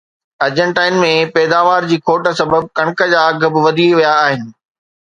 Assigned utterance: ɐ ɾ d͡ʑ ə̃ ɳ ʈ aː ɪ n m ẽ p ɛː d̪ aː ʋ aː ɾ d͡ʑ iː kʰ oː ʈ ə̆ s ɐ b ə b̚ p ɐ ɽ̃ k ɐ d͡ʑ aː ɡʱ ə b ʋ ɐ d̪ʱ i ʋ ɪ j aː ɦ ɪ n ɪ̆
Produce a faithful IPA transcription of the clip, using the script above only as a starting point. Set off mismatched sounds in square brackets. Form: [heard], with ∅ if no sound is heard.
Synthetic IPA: ɐ ɾ d͡ʑ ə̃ ɳ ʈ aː ɪ n m ẽ p ɛː d̪ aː ʋ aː ɾ d͡ʑ iː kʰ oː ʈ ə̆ s ɐ b ə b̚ [k] ɐ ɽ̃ k [ə] d͡ʑ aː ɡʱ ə b ʋ ɐ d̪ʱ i ʋ [i] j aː ɦ ɪ n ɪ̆

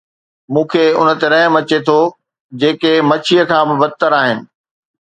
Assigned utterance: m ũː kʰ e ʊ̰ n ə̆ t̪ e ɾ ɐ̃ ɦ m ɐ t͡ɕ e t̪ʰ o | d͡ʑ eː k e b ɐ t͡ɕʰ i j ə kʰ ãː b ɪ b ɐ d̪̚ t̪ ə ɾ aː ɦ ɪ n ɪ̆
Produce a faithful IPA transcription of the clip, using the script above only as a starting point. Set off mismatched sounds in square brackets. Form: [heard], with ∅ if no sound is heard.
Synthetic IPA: m ũː kʰ e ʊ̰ n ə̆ t̪ e ɾ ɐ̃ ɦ m ɐ t͡ɕ e t̪ʰ o | d͡ʑ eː k e [m] ɐ t͡ɕʰ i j ə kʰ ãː b ɪ b ɐ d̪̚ t̪ ə ɾ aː ɦ ɪ n ɪ̆

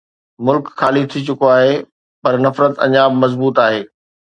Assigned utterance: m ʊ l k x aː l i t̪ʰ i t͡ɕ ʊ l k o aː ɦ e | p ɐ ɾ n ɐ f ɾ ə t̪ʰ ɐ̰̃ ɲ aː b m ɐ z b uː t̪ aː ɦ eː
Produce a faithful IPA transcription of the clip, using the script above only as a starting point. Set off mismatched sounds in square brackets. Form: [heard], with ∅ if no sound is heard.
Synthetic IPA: m ʊ l k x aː l i t̪ʰ i t͡ɕ ʊ [∅] k o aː ɦ e | p ɐ ɾ n ɐ f ɾ ə [t̪] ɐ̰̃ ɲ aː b m ɐ z b uː t̪ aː ɦ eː

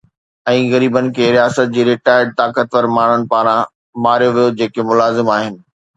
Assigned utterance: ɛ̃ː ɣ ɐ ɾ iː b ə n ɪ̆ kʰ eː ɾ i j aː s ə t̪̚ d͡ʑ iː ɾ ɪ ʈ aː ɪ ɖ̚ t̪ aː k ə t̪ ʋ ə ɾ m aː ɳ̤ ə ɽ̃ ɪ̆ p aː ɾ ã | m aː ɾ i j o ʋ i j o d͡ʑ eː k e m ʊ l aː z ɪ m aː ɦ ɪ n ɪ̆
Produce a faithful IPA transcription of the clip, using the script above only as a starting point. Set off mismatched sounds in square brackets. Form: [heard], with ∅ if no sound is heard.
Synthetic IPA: ɛ̃ː ɣ ɐ ɾ iː b ə n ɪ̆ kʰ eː ɾ i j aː s ə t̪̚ d͡ʑ iː ɾ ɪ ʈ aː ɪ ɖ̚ t̪ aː k ə t̪ ʋ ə ɾ m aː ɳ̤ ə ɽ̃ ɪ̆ p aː ɾ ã | m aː ɾ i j o ʋ i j o d͡ʑ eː k e m ʊ l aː z ɪ m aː ɦ ɪ n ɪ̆

